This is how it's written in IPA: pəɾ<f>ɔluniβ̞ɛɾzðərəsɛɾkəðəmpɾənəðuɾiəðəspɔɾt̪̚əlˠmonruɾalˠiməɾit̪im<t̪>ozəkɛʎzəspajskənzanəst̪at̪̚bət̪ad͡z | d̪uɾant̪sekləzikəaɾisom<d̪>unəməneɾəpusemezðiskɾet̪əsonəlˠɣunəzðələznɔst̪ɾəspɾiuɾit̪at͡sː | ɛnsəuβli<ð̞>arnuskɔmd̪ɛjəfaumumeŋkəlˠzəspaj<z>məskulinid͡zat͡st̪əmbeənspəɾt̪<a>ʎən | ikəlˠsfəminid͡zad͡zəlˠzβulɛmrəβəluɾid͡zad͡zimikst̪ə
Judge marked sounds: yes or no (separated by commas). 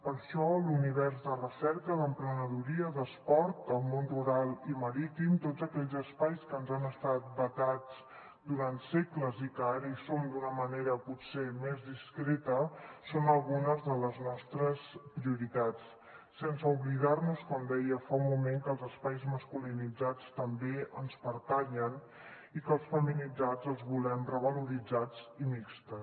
no, yes, yes, yes, yes, yes